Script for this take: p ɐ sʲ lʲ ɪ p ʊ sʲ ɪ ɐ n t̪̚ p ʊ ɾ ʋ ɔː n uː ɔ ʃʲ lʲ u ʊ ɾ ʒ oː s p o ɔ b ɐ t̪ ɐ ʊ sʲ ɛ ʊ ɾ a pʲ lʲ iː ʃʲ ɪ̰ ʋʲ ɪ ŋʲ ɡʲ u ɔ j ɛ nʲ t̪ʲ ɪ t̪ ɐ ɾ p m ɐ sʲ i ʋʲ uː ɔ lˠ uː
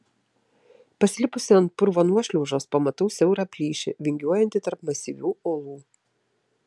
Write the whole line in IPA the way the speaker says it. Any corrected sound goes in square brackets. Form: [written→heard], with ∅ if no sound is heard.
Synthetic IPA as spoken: p ɐ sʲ lʲ ɪ p ʊ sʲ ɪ ɐ n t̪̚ p ʊ ɾ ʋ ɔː n [uː→u] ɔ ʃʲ lʲ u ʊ [ɾ→∅] ʒ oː s p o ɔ [b→m] ɐ t̪ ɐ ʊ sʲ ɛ ʊ ɾ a pʲ lʲ iː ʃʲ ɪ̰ ʋʲ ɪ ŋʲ ɡʲ u ɔ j ɛ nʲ t̪ʲ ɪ t̪ ɐ ɾ p m ɐ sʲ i ʋʲ uː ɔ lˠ uː